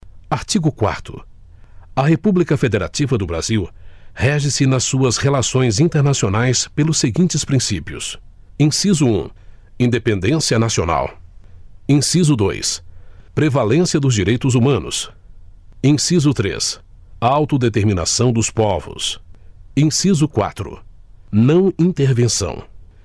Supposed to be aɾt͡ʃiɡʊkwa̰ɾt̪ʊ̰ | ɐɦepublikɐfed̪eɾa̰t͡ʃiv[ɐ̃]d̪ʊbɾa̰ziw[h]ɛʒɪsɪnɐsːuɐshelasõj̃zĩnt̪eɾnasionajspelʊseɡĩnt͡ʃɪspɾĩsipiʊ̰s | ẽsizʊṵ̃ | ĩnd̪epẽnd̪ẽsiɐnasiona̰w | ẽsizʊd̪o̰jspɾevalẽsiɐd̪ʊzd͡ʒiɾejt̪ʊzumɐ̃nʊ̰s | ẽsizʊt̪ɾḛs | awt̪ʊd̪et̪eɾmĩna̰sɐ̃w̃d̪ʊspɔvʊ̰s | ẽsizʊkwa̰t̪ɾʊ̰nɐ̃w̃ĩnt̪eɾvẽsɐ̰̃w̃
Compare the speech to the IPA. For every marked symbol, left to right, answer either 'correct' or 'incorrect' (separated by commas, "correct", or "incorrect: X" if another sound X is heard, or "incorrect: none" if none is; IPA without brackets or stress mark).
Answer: incorrect: ɐ, correct